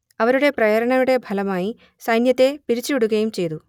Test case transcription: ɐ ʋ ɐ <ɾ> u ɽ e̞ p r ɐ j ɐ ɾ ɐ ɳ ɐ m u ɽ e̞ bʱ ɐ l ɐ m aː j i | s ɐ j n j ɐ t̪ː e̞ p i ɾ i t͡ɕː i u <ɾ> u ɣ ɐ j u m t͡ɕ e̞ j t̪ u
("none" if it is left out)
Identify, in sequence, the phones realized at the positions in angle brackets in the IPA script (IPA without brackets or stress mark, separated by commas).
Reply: ɾ, ɽ